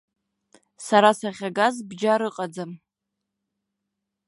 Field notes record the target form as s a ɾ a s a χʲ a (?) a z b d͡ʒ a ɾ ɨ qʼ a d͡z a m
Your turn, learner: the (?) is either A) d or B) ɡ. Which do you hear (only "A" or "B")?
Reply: B